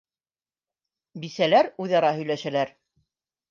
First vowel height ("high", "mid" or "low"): high